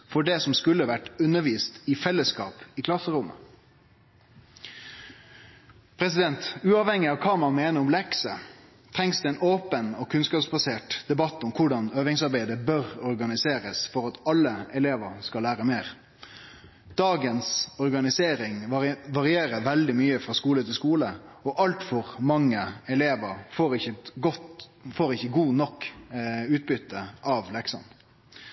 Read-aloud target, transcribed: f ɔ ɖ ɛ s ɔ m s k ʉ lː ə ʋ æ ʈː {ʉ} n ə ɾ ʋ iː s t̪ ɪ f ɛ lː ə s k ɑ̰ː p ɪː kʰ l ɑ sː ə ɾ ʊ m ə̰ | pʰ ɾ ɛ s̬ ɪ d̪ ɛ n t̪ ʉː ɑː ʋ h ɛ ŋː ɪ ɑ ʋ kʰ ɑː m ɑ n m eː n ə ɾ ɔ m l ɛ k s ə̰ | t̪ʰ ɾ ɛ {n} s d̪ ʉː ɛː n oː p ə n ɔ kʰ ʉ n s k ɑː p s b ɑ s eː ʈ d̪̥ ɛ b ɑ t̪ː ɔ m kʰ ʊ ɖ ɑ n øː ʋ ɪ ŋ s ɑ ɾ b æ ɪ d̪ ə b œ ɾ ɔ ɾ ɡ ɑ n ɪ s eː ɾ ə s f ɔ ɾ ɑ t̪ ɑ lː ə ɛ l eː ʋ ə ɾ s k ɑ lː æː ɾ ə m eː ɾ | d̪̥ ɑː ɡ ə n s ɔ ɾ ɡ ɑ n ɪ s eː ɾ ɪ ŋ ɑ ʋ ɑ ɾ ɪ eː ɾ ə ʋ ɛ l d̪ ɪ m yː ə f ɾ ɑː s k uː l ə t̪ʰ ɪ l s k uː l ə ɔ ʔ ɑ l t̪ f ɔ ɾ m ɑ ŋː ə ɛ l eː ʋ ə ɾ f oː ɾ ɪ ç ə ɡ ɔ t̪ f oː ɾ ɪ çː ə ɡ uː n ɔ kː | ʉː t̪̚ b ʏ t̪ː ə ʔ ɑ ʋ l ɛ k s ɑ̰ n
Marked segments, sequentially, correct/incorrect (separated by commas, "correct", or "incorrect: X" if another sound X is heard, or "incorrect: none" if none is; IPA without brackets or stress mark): correct, incorrect: ŋ